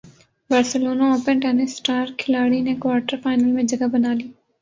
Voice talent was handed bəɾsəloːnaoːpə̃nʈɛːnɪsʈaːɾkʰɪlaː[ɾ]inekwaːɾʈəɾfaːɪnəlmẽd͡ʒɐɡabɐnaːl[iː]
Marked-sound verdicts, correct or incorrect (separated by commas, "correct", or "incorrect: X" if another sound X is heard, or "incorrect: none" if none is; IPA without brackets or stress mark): incorrect: ɽ, correct